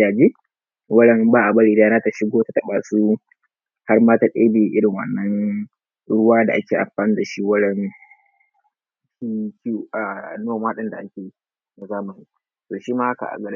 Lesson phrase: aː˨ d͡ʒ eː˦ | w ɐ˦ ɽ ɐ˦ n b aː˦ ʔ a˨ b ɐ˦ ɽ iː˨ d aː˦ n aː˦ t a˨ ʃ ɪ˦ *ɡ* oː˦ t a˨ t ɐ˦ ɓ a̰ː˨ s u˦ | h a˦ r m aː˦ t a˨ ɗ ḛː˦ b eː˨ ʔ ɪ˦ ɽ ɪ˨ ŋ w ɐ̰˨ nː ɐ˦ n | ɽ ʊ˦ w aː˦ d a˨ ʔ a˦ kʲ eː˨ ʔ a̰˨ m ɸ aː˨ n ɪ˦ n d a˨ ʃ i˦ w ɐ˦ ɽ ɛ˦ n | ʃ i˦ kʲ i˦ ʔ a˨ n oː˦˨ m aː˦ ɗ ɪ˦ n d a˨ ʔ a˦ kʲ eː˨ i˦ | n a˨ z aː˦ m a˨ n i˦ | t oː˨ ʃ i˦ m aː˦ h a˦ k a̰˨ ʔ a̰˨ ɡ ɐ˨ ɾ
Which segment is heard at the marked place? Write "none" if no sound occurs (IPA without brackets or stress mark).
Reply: ɡ